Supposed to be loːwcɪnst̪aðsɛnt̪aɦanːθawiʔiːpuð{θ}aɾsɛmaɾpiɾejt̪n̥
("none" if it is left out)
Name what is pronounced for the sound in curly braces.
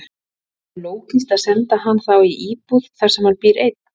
θ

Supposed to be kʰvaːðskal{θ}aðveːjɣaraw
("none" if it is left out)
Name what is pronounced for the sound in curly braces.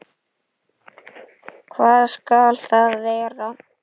θ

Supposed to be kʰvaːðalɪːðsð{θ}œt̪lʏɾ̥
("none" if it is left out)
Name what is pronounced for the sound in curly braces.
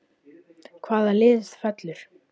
f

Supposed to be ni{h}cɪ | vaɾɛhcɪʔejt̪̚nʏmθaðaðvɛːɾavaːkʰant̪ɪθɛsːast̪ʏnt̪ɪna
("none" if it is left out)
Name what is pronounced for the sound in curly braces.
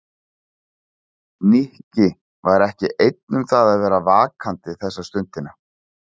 h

